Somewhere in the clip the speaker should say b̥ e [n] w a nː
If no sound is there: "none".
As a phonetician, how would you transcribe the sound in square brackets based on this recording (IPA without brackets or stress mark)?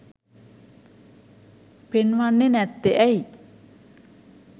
n